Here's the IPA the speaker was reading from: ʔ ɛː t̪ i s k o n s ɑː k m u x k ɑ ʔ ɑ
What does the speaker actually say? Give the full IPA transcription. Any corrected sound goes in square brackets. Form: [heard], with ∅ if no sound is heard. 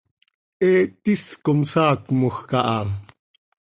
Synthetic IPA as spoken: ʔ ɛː t̪ i s k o [m] s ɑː k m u x k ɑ ʔ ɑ